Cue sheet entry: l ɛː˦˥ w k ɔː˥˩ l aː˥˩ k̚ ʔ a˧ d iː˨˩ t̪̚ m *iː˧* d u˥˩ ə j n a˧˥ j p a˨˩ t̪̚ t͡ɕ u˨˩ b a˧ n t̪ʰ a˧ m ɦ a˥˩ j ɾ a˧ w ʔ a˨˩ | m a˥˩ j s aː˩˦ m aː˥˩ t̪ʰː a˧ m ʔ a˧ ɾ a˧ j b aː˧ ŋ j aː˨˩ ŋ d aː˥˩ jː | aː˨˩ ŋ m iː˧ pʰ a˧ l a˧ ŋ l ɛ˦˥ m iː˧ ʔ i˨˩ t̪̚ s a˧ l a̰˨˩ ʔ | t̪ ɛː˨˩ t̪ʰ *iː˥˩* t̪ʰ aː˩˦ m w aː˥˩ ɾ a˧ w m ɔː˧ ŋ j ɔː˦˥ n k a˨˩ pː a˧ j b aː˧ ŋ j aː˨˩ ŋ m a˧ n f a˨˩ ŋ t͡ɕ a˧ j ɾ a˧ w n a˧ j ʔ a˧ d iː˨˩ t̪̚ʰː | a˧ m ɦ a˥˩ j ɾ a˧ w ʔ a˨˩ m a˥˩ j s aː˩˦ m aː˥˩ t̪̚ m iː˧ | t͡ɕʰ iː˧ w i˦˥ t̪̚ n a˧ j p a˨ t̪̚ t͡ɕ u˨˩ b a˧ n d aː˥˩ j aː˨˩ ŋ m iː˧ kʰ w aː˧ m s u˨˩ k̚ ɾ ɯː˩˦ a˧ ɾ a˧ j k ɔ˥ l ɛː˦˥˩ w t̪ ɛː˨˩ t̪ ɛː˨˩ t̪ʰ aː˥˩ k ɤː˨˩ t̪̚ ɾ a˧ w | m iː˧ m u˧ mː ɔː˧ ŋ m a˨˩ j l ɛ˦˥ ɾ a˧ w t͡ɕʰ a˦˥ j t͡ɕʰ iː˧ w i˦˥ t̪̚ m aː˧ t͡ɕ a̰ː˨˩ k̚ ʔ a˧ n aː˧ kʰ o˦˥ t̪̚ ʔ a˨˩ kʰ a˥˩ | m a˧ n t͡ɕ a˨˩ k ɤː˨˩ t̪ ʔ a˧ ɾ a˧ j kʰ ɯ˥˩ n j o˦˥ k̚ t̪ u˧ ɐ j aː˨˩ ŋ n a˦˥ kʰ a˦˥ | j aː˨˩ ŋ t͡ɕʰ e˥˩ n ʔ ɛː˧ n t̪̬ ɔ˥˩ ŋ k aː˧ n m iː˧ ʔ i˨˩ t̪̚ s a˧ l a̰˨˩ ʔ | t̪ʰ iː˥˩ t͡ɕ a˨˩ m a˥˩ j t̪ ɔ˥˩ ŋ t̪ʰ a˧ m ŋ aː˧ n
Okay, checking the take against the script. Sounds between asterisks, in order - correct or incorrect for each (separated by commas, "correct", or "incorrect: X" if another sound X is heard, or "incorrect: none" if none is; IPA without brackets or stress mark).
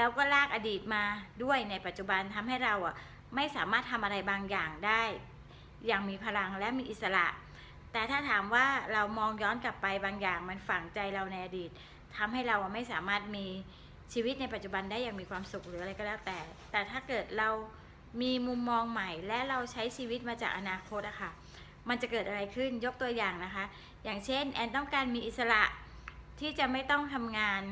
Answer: incorrect: aː˧, incorrect: aː˥˩